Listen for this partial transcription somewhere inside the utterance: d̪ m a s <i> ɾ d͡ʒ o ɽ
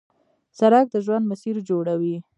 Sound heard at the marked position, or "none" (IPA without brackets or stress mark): i